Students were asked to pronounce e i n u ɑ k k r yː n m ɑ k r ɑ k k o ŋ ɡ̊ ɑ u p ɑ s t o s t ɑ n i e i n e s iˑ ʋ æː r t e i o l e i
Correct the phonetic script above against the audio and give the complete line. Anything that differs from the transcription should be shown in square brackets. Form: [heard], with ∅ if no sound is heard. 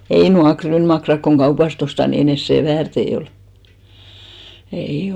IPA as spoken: e i n u ɑ k k r yː n m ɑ k r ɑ k k o ŋ ɡ̊ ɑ u p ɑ s t o s t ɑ n i e i n e s [eˑ] ʋ æː r t e i o l e i